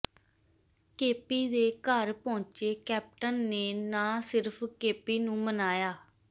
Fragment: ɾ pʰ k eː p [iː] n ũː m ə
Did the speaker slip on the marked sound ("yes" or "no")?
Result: no